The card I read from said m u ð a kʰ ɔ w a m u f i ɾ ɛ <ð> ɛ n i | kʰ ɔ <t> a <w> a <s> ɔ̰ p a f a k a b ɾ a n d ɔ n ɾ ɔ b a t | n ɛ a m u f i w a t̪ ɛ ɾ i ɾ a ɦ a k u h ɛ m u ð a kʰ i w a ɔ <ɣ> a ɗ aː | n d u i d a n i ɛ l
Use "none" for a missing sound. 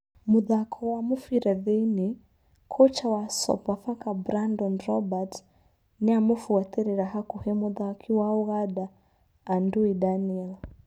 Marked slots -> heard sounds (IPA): ð, t͡ʃ, w, s, ɣ

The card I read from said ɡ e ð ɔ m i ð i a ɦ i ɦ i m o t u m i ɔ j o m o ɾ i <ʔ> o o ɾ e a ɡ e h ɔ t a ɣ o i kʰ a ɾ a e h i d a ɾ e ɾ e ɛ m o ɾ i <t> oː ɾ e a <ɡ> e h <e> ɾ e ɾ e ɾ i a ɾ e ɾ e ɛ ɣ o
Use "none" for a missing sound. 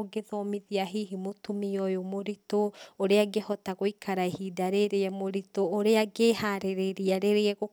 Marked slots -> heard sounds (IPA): t, t, ɡ, a

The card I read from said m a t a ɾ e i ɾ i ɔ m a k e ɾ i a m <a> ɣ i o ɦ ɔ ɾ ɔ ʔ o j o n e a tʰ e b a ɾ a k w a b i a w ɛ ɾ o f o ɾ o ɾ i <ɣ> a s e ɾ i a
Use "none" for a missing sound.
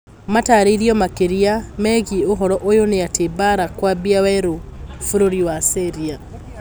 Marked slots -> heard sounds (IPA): ɛ, w

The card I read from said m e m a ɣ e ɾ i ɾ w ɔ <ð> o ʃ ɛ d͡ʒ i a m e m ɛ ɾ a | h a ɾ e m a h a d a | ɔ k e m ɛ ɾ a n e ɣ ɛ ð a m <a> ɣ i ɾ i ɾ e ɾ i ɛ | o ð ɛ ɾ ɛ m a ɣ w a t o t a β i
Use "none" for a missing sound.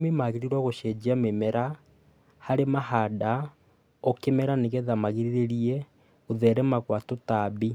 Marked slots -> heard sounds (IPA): ɣ, a

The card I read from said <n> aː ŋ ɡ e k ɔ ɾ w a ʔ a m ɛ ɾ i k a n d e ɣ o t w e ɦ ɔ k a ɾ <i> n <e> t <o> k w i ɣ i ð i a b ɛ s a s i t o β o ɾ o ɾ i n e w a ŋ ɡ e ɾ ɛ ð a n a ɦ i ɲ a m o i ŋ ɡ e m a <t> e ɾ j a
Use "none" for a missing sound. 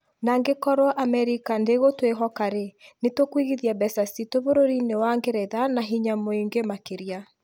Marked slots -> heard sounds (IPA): n, e, e, o, k

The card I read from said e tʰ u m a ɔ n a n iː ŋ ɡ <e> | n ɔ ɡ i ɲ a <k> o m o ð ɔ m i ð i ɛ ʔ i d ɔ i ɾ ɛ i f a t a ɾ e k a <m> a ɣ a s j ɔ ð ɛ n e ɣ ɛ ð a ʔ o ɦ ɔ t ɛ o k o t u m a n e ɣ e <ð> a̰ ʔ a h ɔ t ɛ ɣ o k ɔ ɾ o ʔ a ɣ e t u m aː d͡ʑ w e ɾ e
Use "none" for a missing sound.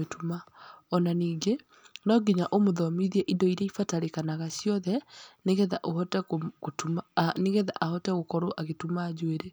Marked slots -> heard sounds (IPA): e, ʔ, n, ð

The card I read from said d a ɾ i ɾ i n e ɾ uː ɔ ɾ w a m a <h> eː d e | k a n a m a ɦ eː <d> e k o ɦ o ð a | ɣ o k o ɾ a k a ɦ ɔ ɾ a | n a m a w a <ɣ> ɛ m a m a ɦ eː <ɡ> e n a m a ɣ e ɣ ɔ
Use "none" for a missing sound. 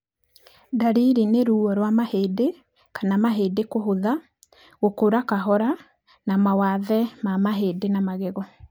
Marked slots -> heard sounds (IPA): h, d, ð, d

